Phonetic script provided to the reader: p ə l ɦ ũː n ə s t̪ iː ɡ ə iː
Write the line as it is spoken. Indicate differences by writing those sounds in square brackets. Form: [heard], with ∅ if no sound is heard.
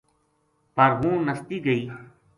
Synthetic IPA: p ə [ɾ] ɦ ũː n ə s t̪ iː ɡ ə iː